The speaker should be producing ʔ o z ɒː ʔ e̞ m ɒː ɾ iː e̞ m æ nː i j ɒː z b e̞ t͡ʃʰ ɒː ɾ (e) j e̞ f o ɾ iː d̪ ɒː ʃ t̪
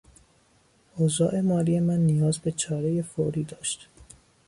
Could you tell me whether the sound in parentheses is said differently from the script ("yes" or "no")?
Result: no